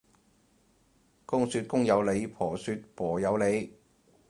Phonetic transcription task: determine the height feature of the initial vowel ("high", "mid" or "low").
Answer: high